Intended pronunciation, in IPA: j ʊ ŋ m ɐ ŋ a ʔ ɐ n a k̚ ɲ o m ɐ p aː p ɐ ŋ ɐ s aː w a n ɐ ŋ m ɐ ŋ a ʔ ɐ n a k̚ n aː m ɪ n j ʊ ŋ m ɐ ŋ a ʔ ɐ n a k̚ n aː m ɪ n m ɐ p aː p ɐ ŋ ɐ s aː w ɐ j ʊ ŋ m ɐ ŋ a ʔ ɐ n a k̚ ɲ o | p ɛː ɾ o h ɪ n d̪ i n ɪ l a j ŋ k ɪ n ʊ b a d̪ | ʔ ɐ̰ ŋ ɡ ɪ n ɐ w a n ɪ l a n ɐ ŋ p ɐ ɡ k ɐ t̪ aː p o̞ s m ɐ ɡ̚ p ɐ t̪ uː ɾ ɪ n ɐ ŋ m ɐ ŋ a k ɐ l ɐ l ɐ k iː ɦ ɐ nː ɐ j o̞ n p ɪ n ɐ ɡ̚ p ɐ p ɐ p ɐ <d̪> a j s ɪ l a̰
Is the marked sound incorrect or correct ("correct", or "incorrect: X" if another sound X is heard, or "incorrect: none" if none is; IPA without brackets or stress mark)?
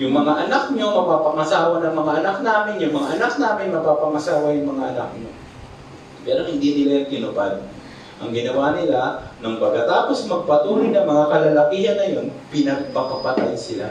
incorrect: t̪